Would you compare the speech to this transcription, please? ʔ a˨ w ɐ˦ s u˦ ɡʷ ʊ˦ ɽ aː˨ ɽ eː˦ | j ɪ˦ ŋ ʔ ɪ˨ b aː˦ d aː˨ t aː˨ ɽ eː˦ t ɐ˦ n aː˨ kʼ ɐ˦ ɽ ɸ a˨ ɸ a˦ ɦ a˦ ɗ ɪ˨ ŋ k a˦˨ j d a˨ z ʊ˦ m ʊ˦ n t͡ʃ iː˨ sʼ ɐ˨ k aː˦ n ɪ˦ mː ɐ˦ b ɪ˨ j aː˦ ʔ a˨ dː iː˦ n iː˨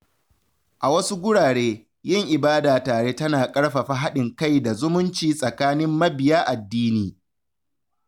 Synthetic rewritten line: ʔ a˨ w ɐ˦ s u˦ ɡʷ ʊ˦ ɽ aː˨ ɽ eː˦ | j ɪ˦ ŋ ʔ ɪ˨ b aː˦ d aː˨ t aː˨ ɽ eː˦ t ɐ˦ n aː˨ kʼ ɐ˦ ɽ ɸ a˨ ɸ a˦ ɦ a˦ ɗ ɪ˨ ŋ k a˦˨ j d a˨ z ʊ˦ m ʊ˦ n t͡ʃ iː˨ sʼ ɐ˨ k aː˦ n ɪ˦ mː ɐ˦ b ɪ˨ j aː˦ ʔ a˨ dː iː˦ n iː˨